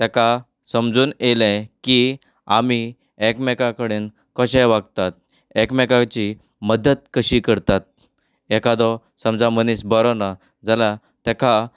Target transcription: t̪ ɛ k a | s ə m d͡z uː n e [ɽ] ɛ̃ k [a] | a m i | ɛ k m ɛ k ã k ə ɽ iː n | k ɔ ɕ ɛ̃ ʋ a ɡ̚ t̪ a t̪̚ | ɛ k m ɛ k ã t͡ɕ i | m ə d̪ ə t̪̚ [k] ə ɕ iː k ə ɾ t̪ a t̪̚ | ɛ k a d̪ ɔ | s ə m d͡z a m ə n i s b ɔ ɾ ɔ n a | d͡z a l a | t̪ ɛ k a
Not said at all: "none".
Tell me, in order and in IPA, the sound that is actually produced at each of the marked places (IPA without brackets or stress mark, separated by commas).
l, i, k